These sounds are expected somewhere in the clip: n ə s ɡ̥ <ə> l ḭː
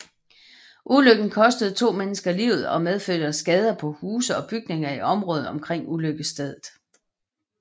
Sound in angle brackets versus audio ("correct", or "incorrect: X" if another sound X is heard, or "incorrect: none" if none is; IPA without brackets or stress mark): incorrect: ɐ